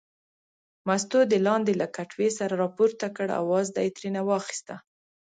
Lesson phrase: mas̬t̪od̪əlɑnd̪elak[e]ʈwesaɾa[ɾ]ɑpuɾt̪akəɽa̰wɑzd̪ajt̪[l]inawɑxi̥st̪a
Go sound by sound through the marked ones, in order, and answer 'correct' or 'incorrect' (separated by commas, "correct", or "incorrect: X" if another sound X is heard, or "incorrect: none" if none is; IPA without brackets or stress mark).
incorrect: a, correct, incorrect: ɾ